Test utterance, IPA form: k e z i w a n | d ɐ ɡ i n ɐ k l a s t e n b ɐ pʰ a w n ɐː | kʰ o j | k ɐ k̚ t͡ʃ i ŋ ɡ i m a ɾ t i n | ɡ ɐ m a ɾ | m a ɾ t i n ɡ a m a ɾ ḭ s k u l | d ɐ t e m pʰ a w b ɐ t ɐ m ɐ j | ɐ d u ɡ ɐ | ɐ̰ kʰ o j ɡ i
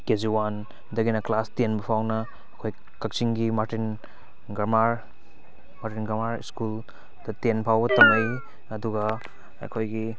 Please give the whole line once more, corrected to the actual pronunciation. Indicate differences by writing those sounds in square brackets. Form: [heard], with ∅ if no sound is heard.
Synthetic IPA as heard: k e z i w a n | d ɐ ɡ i n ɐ k l a s t e n b ɐ pʰ a w n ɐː | kʰ o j | k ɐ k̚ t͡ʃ i ŋ ɡ i m a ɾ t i n | ɡ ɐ m a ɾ | m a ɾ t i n ɡ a m a ɾ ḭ s k u l | d ɐ t e [n] pʰ a w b ɐ t ɐ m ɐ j | ɐ d u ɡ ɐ | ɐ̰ kʰ o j ɡ i